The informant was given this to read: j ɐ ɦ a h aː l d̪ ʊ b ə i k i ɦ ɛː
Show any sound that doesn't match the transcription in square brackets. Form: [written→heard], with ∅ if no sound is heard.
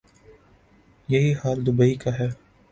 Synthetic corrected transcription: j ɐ ɦ [a→i] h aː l d̪ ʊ b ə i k [i→a] ɦ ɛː